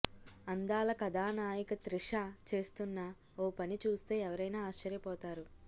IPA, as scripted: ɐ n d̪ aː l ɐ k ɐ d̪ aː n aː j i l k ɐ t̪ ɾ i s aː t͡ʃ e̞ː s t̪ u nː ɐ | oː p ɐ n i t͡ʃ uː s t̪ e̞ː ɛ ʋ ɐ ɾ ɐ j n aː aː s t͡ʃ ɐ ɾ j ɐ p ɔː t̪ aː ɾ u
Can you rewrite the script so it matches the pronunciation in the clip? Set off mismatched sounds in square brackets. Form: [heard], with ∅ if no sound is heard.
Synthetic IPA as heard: ɐ n d̪ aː l ɐ k ɐ d̪ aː n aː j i [∅] k ɐ t̪ ɾ i [ʂ] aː t͡ʃ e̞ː s t̪ u nː ɐ | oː p ɐ n i t͡ʃ uː s t̪ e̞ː ɛ ʋ ɐ ɾ ɐ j n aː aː [ʃ] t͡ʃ ɐ ɾ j ɐ p ɔː t̪ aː ɾ u